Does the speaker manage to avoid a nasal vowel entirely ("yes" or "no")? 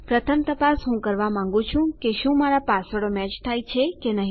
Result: no